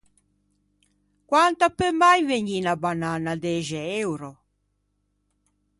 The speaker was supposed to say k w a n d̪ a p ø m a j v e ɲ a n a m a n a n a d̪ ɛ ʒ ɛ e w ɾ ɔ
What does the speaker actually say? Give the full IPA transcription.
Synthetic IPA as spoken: k w a n t̪ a p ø m a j v e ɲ i n a b a n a n a d̪ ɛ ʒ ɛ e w ɾ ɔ